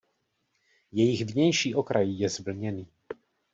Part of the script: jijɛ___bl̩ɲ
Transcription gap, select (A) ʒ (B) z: B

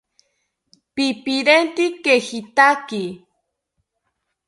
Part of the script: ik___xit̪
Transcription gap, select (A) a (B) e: B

